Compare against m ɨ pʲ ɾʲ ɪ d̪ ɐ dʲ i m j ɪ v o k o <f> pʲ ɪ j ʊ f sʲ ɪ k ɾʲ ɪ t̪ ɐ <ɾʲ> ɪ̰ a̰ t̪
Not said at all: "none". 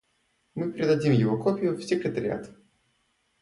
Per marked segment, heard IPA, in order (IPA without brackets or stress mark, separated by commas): none, ɾʲ